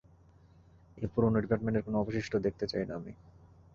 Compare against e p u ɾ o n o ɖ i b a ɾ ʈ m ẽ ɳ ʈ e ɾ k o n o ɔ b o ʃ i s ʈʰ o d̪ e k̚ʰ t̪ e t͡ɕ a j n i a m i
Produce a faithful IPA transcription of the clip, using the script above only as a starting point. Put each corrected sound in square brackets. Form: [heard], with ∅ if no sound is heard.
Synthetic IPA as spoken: e p u ɾ o n o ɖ i [p] a ɾ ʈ m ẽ ɳ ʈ e ɾ k o n o ɔ b o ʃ i [ʃ] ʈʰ o d̪ e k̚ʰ t̪ e t͡ɕ a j n [a] a m i